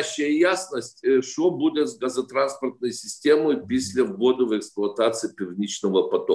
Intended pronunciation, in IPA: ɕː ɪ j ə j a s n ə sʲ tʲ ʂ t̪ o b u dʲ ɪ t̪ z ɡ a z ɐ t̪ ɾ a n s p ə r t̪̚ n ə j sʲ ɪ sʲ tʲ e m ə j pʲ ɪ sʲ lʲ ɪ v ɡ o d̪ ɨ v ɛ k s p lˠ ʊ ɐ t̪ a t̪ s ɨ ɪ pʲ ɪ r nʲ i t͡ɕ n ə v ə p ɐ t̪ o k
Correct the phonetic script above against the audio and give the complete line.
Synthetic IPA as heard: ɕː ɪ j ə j a s n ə sʲ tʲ ʂ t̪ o b u dʲ ɪ t̪ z ɡ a z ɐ t̪ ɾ a n s p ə r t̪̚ n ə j sʲ ɪ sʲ tʲ e m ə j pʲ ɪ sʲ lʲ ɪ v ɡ o d̪ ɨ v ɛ k s p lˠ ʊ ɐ t̪ a t̪ s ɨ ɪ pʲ ɪ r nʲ i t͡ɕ n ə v ə p ɐ t̪ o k